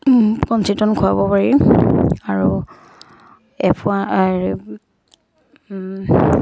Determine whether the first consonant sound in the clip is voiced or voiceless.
voiceless